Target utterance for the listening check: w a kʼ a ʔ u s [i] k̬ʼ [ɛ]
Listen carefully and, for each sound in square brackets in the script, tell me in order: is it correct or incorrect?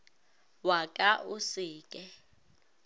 incorrect: iː, correct

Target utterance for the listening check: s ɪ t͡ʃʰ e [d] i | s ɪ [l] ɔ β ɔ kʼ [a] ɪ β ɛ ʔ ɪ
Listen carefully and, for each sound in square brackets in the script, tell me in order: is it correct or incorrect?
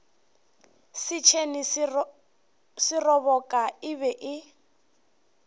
incorrect: n, incorrect: r, correct

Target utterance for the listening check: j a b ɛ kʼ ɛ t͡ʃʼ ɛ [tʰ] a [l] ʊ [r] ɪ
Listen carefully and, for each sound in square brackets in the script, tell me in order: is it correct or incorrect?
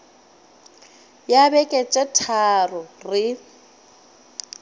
correct, incorrect: r, correct

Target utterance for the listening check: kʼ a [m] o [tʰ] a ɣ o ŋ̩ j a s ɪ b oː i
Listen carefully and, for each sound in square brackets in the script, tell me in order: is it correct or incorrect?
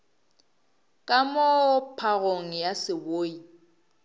correct, incorrect: pʰ

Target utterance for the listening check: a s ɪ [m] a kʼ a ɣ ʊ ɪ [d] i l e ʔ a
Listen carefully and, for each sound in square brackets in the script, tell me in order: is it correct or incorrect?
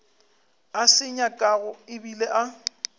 incorrect: ɲ, incorrect: b

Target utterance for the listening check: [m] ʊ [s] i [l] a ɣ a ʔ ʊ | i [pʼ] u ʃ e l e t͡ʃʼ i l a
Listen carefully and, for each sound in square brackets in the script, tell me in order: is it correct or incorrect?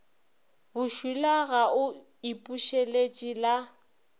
incorrect: b, incorrect: ʃ, correct, correct

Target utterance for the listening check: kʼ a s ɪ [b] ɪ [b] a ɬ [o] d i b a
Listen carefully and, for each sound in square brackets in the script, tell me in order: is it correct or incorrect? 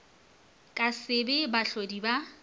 correct, correct, correct

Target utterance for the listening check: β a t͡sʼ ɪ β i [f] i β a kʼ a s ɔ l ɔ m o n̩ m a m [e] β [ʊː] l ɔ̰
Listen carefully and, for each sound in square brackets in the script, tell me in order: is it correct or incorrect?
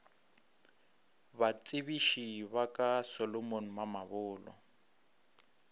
incorrect: ʃ, incorrect: a, correct

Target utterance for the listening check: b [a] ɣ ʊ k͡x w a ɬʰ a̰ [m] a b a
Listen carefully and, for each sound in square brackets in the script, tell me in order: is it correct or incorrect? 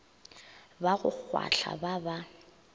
correct, incorrect: b

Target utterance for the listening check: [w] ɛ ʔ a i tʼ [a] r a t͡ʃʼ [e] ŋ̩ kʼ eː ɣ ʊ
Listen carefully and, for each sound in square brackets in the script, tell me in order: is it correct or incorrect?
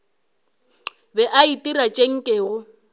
incorrect: b, incorrect: i, correct

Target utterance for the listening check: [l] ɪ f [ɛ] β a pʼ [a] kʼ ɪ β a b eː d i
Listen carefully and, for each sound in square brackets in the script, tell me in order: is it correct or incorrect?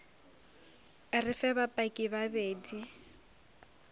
incorrect: r, correct, correct

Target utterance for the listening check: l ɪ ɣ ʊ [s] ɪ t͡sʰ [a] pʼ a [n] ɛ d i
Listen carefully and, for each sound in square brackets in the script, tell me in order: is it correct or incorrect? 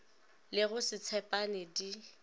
correct, incorrect: ɛ, correct

